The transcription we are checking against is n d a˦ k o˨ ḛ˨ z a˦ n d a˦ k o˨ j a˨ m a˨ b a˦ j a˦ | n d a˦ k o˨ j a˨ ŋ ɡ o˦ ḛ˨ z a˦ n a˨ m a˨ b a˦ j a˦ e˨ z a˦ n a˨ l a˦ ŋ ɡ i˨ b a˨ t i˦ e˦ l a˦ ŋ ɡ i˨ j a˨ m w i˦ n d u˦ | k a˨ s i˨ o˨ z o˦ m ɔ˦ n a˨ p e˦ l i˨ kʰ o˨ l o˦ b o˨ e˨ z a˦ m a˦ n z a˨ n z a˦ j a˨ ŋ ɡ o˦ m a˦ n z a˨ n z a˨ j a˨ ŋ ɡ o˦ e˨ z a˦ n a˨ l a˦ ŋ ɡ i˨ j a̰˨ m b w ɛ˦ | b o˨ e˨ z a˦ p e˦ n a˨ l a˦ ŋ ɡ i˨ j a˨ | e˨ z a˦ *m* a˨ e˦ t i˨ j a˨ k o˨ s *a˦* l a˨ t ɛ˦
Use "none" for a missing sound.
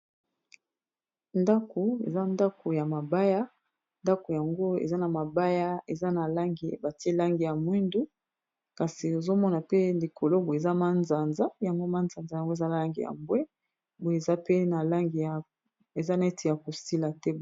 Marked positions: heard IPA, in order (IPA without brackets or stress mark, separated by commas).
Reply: n, i˦